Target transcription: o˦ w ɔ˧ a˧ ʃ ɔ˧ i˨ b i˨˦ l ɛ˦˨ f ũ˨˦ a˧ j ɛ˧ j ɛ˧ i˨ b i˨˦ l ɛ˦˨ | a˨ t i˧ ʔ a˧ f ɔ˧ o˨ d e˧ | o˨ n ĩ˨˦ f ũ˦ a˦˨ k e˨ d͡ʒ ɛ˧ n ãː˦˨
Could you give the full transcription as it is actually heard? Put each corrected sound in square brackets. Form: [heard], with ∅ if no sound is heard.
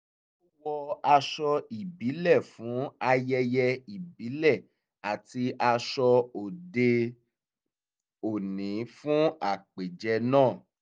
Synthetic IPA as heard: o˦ w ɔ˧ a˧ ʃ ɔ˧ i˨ b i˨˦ l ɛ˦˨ f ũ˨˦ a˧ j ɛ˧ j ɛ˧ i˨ b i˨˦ l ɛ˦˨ | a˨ t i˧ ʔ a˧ [ʃ] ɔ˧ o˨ d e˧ | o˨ n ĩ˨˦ f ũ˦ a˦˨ [k͡p] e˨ d͡ʒ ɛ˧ n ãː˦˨